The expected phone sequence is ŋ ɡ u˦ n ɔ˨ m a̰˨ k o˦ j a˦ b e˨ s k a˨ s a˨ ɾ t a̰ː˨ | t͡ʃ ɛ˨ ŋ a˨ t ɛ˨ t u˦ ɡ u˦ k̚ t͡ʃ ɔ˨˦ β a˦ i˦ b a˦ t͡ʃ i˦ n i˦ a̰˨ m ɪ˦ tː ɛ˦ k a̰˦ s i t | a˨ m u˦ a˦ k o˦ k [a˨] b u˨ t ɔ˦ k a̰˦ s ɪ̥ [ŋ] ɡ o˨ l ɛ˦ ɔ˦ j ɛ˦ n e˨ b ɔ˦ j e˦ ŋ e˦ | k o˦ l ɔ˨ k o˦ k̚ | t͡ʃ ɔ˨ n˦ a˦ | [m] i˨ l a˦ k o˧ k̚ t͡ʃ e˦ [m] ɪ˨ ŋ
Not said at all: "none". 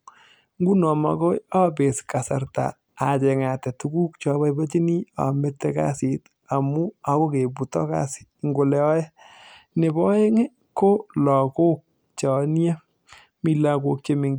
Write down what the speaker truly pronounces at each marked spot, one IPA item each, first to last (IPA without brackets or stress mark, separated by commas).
e˨, ŋ, m, m